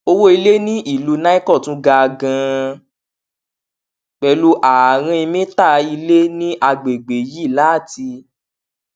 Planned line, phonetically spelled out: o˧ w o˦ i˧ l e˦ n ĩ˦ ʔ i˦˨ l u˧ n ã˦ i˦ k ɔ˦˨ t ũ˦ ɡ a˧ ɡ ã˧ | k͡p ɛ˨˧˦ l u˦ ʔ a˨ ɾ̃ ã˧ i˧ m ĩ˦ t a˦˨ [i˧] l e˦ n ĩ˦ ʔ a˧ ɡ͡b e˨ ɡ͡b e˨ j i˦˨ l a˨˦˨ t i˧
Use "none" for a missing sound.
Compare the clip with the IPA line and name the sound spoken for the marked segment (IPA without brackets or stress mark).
i˧